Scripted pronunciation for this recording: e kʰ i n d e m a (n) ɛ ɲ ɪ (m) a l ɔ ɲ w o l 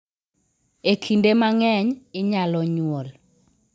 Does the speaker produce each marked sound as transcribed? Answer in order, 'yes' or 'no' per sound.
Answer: no, no

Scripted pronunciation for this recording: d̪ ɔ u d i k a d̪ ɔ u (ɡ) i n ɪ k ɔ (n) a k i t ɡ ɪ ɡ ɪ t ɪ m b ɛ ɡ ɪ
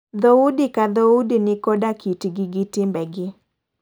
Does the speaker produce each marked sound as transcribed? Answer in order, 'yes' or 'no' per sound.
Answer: no, no

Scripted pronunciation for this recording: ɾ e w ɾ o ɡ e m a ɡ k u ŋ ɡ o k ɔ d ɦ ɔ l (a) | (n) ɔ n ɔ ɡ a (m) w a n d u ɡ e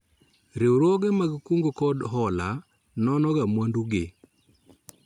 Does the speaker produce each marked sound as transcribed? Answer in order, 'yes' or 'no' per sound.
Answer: yes, yes, yes

